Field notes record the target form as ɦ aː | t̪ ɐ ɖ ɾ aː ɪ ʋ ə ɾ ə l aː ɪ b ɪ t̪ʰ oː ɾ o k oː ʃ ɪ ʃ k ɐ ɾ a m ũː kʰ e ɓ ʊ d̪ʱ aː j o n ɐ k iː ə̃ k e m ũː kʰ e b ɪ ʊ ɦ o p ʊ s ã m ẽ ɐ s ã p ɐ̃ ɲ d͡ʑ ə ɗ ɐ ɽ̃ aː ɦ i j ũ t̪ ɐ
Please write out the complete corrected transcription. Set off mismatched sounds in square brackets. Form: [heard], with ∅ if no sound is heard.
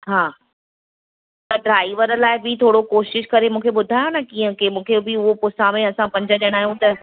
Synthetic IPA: ɦ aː | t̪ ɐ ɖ ɾ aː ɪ ʋ ə ɾ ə l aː ɪ b ɪ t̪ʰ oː [ɽ] o k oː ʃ ɪ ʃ k ɐ ɾ [e] m ũː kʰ e ɓ ʊ d̪ʱ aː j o n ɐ k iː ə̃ k e m ũː kʰ e b ɪ ʊ ɦ o p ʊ s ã m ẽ ɐ s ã p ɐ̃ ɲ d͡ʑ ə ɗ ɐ ɽ̃ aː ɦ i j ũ t̪ ɐ